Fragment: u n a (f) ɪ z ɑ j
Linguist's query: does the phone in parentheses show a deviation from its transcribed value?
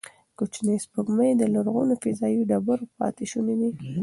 no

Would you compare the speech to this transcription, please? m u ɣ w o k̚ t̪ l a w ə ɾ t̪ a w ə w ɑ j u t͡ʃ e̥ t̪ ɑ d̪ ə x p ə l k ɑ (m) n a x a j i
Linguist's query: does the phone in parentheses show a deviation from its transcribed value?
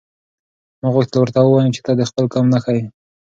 no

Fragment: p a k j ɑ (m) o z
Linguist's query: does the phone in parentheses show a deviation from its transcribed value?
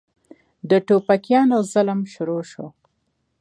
yes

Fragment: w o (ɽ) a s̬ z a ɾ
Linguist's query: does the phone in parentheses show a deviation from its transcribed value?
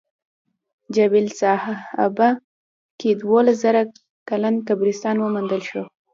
yes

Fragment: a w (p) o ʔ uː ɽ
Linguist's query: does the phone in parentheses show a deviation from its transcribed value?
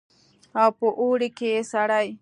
no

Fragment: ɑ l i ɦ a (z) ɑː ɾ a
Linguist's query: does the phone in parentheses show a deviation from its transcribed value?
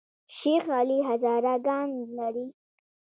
no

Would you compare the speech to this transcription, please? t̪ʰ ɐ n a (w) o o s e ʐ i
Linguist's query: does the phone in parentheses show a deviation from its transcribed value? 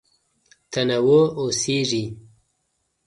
no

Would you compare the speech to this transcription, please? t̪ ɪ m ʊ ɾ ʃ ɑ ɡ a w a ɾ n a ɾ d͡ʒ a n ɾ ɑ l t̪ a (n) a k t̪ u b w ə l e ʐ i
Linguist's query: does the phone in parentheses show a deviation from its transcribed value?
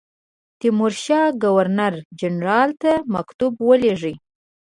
yes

